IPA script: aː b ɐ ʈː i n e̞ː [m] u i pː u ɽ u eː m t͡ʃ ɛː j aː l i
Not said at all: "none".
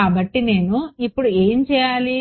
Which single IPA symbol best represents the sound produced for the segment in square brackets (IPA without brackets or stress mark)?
n